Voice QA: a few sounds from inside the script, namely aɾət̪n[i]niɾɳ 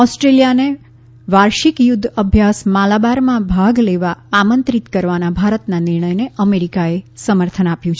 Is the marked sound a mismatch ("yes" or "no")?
yes